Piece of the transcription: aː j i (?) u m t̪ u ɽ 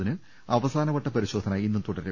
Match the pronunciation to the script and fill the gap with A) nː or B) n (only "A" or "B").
A